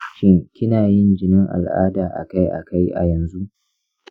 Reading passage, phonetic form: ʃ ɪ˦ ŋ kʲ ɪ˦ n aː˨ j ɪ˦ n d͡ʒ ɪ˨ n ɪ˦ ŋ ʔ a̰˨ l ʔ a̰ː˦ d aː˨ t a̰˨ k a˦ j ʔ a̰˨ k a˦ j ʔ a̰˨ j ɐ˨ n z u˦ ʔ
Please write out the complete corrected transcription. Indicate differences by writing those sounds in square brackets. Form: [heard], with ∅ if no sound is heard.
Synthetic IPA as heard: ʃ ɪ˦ ŋ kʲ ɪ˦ n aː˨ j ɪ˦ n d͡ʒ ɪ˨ n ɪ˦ ŋ ʔ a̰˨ l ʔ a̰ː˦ d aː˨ [ʔ] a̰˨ k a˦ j ʔ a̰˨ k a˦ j ʔ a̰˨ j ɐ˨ n z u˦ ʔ